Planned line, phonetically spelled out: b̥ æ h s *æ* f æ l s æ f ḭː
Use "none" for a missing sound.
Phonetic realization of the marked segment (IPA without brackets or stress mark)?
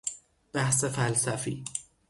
e